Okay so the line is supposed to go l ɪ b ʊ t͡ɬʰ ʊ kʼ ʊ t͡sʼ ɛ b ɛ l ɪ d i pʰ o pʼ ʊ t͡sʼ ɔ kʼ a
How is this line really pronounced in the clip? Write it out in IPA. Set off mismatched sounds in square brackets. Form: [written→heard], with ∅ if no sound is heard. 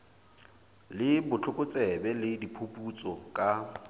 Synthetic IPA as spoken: l ɪ b ʊ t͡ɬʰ ʊ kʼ ʊ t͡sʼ ɛ b ɛ l ɪ d i pʰ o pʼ [ʊ→u] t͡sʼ ɔ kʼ a